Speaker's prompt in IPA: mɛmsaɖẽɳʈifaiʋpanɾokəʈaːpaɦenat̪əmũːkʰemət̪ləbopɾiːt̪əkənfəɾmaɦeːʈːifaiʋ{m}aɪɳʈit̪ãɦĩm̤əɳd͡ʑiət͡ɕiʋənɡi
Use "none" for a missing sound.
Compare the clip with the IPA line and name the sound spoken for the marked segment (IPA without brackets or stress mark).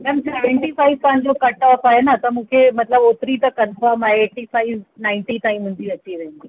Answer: n